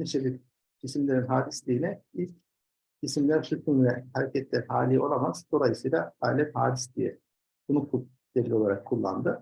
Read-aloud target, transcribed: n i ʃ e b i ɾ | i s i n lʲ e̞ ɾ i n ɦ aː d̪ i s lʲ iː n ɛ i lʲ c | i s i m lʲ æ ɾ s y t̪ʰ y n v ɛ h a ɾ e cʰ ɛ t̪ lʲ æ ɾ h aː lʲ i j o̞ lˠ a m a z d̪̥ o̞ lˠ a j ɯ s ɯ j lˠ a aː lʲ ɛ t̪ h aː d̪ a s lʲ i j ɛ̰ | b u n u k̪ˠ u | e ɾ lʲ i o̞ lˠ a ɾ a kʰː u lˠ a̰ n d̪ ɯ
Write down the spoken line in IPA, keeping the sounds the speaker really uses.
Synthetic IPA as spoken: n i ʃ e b i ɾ | i s i m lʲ e̞ ɾ i n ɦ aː d̪ i s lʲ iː n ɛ i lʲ c | i s i m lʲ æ ɾ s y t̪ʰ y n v ɛ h a ɾ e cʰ ɛ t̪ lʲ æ ɾ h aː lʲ i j o̞ lˠ a m a z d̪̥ o̞ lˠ a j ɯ s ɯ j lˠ a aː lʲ ɛ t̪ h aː d̪ i s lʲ i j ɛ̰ | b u n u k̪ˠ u | e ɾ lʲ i o̞ lˠ a ɾ a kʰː u lˠː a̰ n d̪ ɯ